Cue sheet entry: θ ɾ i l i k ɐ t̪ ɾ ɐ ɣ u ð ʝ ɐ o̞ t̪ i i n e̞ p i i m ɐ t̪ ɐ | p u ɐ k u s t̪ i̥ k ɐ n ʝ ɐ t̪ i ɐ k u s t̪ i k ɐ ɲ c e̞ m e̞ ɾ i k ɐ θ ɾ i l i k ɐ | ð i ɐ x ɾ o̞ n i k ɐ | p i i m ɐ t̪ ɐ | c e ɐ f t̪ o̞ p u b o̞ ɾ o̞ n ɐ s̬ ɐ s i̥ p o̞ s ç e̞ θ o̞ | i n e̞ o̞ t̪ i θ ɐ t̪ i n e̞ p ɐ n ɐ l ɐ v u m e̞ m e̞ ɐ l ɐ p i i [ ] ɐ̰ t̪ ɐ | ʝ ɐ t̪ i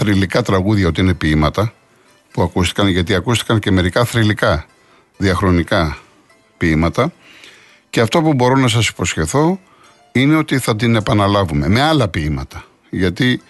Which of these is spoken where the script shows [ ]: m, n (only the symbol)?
m